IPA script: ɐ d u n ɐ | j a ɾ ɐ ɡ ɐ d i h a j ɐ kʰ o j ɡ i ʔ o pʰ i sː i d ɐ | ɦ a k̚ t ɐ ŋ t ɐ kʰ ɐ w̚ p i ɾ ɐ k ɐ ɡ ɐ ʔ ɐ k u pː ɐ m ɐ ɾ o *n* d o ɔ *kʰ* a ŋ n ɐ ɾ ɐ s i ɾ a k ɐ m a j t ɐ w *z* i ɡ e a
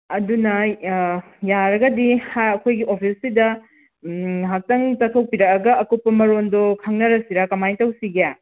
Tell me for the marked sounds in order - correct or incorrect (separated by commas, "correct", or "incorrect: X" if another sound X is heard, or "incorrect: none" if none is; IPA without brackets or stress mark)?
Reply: correct, correct, incorrect: s